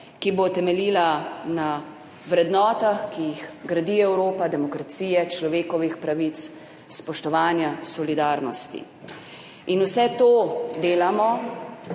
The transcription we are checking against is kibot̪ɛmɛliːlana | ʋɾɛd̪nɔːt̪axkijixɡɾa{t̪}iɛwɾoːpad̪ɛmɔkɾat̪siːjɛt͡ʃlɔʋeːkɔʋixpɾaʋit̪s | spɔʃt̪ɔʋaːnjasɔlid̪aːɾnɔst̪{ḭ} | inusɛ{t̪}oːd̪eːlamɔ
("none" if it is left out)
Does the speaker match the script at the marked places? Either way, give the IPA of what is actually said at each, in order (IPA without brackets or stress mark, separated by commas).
d̪, ḭ, t̪